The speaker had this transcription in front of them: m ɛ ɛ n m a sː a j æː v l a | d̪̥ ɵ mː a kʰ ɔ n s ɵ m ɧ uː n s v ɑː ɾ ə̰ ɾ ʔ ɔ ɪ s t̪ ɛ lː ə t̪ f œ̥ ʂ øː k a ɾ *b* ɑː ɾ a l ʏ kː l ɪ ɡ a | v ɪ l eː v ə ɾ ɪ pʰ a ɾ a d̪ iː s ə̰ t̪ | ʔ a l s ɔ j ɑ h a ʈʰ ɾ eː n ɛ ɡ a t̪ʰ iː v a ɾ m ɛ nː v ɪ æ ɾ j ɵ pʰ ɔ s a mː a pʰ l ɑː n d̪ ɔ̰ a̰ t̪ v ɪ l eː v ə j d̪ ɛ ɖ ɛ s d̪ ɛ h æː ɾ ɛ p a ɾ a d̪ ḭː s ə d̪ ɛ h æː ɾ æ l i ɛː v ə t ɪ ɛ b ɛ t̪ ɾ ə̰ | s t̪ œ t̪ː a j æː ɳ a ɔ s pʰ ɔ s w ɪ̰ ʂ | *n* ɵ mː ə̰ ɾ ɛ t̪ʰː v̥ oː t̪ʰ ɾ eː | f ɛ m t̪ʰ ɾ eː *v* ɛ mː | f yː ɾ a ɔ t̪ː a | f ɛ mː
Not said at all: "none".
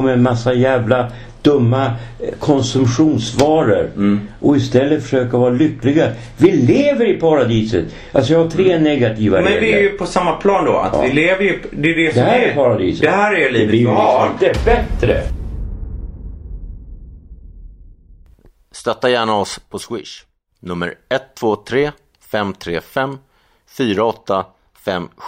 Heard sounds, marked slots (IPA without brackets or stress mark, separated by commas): v, n, f